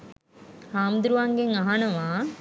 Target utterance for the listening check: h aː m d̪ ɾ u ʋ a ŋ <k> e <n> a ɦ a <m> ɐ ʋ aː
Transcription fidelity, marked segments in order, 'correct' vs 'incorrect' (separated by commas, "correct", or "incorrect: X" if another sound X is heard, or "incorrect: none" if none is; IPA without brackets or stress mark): incorrect: ɡ, incorrect: ŋ, incorrect: n